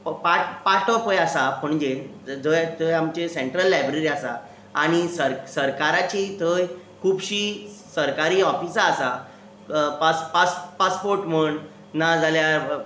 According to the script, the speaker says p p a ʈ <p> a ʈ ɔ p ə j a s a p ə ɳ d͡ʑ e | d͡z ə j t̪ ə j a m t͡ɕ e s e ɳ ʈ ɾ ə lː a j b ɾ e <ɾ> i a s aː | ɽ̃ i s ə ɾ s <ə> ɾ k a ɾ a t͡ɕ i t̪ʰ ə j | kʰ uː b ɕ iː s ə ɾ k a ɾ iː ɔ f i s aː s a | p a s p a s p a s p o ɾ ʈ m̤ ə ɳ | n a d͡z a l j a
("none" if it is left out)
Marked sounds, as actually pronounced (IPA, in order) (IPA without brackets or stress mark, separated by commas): p, ɾ, ə